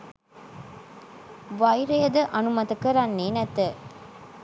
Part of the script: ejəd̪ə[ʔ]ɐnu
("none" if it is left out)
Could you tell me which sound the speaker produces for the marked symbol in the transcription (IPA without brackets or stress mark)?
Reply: ʔ